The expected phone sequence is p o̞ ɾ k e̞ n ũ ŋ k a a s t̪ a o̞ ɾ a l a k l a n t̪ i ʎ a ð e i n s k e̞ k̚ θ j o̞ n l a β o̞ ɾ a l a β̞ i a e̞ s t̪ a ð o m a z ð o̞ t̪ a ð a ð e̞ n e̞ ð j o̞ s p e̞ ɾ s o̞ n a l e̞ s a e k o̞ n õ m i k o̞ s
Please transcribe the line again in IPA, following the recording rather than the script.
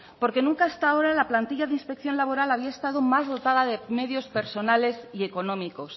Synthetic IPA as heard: p o̞ ɾ k e̞ n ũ ŋ k a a s t̪ a o̞ ɾ a l a p l a n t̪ i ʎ a ð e i n s p e̞ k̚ θ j o̞ n l a β o̞ ɾ a l a β̞ i a e̞ s t̪ a ð o m a z ð o̞ t̪ a ð a ð e̞ m e̞ ð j o̞ s p e̞ ɾ s o̞ n a l e̞ s i e k o̞ n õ m i k o̞ s